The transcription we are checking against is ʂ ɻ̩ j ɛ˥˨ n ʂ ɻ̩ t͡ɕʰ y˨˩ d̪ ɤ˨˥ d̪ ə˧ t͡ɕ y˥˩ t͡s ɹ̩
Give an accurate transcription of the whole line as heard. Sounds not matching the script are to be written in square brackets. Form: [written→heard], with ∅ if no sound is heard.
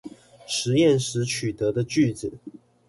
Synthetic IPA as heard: ʂ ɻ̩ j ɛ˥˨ n ʂ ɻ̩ t͡ɕʰ y˨˩ [d̪→t̪] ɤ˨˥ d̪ ə˧ t͡ɕ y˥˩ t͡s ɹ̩